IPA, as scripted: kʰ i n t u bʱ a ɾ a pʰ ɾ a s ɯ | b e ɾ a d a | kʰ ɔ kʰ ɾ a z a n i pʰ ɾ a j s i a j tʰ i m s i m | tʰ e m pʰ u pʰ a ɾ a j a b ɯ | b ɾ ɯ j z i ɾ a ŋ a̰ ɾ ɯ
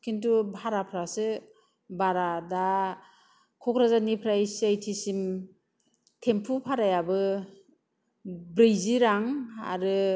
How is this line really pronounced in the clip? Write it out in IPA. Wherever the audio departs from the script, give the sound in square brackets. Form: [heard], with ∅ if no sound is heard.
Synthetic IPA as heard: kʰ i n t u bʱ a ɾ a pʰ ɾ a s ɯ | b [a] ɾ a d a | kʰ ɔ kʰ ɾ a z a n i pʰ ɾ a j s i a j tʰ i [∅] s i m | tʰ e m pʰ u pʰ a ɾ a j a b ɯ | b ɾ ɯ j z i ɾ a ŋ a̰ ɾ ɯ